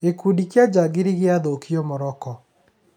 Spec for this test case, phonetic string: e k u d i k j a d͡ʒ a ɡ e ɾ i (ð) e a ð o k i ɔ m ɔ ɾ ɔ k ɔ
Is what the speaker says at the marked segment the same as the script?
no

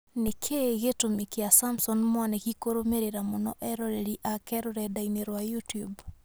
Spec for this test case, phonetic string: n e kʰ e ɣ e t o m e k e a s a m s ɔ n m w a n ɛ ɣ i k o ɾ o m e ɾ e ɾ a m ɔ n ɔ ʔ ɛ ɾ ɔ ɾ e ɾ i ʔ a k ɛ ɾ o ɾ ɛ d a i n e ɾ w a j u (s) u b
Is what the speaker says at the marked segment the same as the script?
no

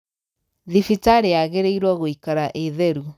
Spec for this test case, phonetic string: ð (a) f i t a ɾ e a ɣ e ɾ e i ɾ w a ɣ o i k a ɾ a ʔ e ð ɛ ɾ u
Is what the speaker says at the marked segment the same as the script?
no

